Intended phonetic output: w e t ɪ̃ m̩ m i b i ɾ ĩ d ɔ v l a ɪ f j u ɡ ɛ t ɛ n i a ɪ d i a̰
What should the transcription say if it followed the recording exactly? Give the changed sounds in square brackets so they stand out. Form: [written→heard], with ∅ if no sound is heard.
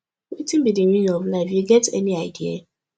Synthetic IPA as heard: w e t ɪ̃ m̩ [m→b] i [b→d] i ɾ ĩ [d→n] ɔ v l a ɪ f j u ɡ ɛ t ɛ n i a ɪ d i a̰